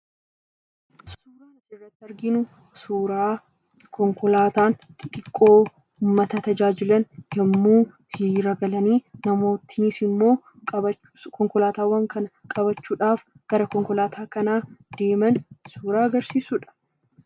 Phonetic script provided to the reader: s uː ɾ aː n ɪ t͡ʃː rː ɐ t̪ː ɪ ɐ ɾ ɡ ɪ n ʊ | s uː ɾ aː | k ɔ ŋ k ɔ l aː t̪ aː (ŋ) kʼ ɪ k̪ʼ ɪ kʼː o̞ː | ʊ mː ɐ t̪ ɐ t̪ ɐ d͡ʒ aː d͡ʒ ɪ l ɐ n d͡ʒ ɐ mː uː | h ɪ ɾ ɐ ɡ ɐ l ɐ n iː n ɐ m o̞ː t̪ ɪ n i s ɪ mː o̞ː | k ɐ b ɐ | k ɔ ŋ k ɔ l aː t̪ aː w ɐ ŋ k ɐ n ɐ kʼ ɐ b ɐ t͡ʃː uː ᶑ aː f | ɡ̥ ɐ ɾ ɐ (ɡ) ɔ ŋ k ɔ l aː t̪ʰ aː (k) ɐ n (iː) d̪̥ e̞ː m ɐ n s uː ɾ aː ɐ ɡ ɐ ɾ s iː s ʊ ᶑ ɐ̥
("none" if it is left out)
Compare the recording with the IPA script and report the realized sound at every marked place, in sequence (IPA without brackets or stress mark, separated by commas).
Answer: n, k, k, aː